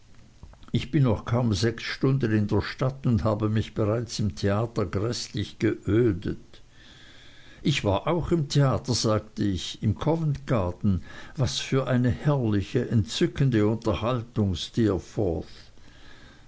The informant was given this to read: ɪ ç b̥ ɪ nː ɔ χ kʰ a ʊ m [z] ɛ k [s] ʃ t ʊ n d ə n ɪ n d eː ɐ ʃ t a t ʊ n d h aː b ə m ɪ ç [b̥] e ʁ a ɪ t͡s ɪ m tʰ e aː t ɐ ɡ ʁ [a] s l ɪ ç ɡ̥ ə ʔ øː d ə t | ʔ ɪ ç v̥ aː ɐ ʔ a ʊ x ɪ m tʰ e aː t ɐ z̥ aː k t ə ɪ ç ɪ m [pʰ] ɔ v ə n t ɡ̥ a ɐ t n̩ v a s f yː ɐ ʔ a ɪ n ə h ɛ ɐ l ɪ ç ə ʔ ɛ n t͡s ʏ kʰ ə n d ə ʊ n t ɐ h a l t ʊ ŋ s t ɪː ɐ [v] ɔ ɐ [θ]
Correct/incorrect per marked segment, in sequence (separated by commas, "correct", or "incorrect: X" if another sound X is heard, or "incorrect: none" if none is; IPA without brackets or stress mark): correct, correct, correct, incorrect: ɛ, incorrect: kʰ, incorrect: f, correct